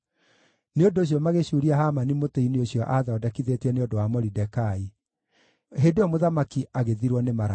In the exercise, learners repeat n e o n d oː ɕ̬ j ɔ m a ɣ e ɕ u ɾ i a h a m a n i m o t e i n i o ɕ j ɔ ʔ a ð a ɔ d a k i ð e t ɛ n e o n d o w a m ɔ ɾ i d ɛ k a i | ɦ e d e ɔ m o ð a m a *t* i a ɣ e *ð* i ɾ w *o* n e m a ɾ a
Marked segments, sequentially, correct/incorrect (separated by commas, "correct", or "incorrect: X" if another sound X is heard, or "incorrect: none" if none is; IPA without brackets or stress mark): incorrect: k, correct, incorrect: ɔ